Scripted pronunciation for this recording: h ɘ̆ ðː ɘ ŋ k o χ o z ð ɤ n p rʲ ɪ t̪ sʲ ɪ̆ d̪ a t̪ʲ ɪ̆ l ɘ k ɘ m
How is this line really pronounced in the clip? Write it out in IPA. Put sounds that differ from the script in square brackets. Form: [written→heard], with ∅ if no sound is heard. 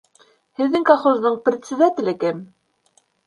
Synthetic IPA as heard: h ɘ̆ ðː ɘ ŋ k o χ o z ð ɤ [n→ɴ] p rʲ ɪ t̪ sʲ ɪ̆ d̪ a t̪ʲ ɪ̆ l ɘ k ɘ m